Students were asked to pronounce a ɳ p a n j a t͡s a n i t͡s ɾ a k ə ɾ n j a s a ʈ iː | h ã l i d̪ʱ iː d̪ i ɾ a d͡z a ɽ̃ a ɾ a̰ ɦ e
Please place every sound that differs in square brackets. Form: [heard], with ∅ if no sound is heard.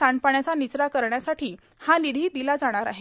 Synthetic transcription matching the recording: a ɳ p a [ɳ] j a t͡s a n i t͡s ɾ a k ə ɾ [ɳ] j a s a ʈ iː | h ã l i d̪ʱ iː d̪ i [l] a d͡z a ɽ̃ a ɾ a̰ ɦ e